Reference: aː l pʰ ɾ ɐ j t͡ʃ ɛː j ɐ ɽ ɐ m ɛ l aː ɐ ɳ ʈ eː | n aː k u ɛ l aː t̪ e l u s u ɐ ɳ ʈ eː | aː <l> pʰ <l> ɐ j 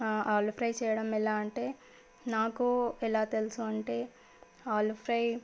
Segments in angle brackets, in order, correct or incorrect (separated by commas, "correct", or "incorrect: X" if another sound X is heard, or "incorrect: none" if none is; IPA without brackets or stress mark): correct, incorrect: ɾ